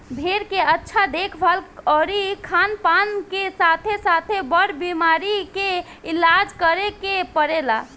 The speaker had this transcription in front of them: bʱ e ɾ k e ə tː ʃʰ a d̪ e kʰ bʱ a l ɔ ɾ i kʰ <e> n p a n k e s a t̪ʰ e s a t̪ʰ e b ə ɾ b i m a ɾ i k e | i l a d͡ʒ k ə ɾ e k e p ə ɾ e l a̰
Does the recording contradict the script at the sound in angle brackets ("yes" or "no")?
yes